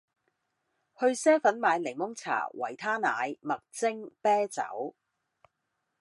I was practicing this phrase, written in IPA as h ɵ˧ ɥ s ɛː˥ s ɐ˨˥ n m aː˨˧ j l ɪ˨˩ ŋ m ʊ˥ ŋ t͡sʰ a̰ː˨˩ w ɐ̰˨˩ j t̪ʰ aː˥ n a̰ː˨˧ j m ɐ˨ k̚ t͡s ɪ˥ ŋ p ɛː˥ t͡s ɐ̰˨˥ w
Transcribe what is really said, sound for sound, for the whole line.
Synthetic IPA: h ɵ˧ ɥ s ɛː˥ f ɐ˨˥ n m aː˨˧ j l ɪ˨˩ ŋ m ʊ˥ ŋ t͡sʰ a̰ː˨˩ w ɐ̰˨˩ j t̪ʰ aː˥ n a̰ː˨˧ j m ɐ˨ k̚ t͡s ɪ˥ ŋ p ɛː˥ t͡s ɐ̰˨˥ w